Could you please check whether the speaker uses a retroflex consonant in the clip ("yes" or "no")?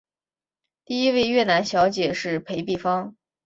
yes